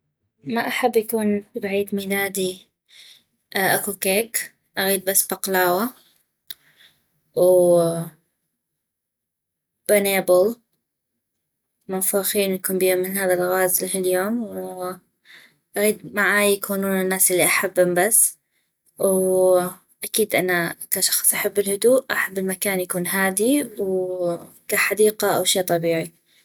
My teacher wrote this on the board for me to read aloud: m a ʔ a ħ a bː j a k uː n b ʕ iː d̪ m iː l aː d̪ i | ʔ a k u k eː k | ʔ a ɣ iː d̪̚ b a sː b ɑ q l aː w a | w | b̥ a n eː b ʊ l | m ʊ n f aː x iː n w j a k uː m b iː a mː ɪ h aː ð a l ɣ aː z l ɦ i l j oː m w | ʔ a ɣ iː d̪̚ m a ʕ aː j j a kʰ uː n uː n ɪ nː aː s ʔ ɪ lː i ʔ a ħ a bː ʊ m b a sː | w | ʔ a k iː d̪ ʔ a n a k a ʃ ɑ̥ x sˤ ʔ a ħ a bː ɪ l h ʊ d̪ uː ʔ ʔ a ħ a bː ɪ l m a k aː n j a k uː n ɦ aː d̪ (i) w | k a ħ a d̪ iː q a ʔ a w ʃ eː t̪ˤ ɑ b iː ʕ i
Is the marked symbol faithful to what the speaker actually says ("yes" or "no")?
yes